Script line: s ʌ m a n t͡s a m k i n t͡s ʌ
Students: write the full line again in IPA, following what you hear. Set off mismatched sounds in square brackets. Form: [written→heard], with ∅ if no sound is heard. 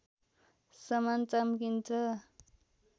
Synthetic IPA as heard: s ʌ m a n t͡s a m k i n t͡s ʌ